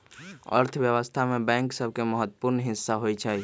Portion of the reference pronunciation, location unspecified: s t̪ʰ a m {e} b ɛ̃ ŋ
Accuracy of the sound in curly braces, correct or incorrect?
correct